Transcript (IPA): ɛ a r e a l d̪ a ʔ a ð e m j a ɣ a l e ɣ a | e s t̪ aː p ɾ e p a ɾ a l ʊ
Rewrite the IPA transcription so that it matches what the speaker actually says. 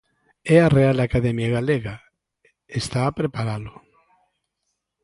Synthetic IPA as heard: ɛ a r e a l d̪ a k a ð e m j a ɣ a l e ɣ a | e s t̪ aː p ɾ e p a ɾ a l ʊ

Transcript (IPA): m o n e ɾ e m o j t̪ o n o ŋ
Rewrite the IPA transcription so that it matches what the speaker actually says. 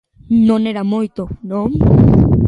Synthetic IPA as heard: n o n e ɾ a m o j t̪ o n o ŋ

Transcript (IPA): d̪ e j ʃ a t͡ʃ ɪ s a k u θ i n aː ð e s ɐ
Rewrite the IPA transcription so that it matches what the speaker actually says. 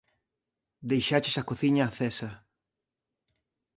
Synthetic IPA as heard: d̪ e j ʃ a t͡ʃ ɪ s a k o θ i ɲ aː θ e s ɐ

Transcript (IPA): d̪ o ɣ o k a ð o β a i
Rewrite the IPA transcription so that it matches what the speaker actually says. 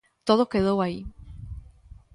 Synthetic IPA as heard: t̪ o ð o k e ð o w a i

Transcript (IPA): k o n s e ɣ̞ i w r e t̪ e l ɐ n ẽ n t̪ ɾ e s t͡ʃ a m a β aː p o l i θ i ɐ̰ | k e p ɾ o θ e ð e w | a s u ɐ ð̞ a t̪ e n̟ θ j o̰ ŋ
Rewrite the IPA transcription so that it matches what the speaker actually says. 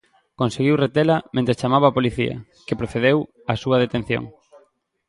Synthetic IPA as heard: k o n s e ɣ̞ i w r e t̪ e l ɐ m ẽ n t̪ ɾ e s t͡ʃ a m a β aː p o l i θ i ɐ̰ | k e p ɾ o θ e ð e w | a s u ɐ ð̞ e t̪ e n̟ θ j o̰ ŋ

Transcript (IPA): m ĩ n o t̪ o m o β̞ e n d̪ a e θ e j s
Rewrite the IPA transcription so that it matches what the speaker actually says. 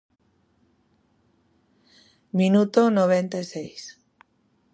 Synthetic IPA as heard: m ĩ n u t̪ o n o β̞ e n t̪ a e s e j s

